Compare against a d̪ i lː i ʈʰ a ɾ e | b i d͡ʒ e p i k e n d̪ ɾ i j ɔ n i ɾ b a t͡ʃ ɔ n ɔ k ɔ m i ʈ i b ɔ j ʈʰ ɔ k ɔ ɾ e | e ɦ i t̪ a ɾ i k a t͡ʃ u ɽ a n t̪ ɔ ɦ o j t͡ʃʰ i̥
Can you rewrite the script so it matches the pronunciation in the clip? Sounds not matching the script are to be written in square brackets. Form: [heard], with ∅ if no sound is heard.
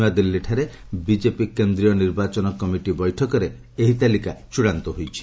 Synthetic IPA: a d̪ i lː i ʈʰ a ɾ e | b i d͡ʒ e p i k e n d̪ ɾ i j ɔ n i ɾ b a t͡ʃ ɔ n ɔ k ɔ m i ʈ i b ɔ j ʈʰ ɔ k ɔ ɾ e | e ɦ i t̪ a [l] i k a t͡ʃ u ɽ a n t̪ ɔ ɦ o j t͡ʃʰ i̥